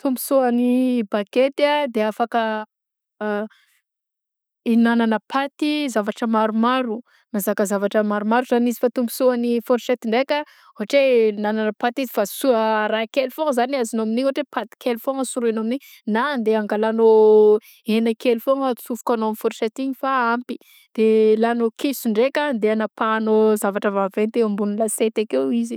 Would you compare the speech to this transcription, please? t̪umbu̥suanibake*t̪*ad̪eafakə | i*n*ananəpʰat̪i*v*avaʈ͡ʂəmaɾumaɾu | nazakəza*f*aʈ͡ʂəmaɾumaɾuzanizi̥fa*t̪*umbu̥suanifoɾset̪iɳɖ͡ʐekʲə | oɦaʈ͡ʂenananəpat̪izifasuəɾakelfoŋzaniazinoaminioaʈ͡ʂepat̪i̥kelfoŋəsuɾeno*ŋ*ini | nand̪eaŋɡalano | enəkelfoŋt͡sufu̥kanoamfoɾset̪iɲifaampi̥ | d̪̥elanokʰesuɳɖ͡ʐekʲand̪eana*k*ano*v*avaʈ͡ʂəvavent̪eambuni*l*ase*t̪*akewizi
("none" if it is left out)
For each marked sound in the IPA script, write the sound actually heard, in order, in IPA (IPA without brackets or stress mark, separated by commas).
t̪, n, z, v, t̪, m, p, z, l, t̪